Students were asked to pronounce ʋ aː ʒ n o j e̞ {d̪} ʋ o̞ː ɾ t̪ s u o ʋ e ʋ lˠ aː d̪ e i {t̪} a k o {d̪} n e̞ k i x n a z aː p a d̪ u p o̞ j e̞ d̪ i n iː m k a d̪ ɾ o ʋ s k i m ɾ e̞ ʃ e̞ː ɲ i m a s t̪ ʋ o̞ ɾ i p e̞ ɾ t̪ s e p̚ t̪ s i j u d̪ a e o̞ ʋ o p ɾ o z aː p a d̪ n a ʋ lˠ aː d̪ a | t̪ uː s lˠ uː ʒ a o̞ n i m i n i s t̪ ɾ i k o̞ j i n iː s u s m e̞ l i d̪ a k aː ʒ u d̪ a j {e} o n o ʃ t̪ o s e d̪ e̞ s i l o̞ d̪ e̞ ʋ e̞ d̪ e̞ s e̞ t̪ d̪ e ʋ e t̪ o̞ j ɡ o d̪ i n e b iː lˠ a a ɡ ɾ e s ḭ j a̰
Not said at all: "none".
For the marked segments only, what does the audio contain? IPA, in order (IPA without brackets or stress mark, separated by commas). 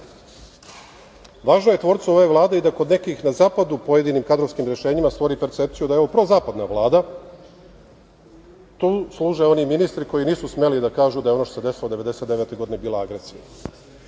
t̪, d̪, d̪, e